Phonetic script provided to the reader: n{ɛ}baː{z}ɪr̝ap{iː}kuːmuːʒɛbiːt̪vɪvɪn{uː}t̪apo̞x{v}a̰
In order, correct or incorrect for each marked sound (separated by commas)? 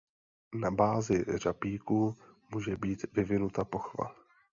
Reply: incorrect, correct, correct, incorrect, correct